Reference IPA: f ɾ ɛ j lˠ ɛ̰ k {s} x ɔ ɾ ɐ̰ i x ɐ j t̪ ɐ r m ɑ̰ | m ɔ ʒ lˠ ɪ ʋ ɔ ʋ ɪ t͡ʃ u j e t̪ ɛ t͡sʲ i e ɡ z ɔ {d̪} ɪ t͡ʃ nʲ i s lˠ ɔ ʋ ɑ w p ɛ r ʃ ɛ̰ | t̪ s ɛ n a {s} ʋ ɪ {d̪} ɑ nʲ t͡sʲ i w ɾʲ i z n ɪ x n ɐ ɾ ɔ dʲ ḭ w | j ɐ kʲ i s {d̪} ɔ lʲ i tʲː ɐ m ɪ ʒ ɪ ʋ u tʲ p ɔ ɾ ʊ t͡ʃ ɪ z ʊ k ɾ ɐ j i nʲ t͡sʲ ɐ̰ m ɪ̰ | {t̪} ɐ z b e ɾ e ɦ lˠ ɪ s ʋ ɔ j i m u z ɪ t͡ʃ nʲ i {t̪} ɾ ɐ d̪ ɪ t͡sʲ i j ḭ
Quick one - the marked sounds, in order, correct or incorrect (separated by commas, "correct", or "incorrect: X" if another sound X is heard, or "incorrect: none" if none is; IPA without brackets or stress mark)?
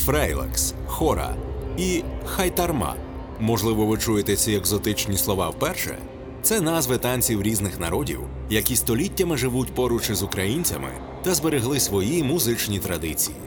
correct, incorrect: t̪, incorrect: z, incorrect: t̪, incorrect: t̪, correct, correct